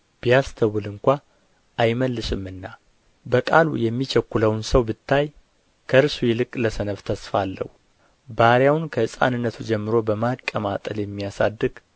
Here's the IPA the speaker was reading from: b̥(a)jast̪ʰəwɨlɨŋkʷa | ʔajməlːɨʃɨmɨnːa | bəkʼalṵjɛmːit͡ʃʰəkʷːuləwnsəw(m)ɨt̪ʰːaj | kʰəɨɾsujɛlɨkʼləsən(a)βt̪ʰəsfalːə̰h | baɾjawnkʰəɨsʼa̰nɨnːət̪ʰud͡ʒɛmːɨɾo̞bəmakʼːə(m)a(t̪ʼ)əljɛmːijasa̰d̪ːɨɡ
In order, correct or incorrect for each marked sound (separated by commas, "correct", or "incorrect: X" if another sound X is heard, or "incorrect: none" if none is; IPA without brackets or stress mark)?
incorrect: i, incorrect: b, incorrect: ə, correct, correct